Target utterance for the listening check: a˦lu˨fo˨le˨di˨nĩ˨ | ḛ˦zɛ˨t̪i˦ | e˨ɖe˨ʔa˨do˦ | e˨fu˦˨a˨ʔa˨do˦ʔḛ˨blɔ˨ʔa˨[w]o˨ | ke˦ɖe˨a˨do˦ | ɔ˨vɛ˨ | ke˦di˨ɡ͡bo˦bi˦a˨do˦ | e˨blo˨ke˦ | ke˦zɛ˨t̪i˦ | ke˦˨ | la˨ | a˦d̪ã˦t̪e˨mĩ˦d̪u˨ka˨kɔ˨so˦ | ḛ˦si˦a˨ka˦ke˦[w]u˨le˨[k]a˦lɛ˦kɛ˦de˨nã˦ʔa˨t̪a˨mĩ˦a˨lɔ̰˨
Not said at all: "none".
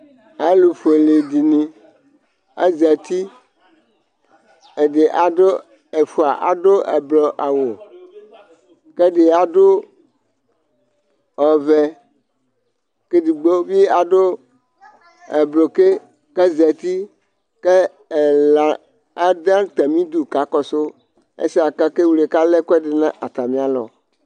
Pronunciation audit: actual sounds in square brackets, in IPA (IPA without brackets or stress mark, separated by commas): w, w, k